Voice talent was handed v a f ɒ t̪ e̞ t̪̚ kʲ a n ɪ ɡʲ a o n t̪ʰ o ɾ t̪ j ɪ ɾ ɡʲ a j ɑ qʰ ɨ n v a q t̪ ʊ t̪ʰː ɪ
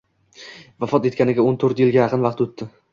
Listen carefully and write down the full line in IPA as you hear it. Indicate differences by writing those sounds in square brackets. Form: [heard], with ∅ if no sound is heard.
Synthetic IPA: v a f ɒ t̪ e̞ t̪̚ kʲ a n ɪ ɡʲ a o n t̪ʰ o ɾ t̪ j ɪ [l] ɡʲ a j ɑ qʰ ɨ n v [ɑ] q t̪ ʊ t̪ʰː ɪ